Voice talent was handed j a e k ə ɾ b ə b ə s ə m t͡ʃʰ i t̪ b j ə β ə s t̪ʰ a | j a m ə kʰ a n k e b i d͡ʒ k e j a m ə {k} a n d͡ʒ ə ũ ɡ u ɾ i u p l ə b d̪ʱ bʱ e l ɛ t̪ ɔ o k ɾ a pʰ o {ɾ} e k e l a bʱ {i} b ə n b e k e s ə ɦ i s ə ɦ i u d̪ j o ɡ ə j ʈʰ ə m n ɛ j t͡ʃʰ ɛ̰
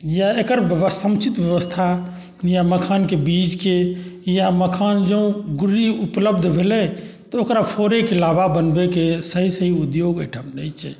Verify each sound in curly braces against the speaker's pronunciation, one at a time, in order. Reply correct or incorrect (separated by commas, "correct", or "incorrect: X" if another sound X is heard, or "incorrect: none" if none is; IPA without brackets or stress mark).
incorrect: kʰ, correct, incorrect: a